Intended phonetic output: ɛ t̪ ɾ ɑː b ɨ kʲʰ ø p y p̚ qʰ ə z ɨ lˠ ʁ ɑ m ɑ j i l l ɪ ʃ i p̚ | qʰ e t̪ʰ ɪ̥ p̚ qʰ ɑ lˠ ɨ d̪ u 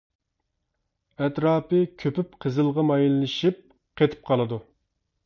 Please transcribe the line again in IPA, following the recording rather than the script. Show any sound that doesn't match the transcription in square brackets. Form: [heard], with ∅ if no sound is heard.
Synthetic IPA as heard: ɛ t̪ ɾ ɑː [p] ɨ kʲʰ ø p y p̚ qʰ ə z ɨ lˠ ʁ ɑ m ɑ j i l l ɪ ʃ i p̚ | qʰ e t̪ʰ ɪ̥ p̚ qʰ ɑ lˠ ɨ d̪ u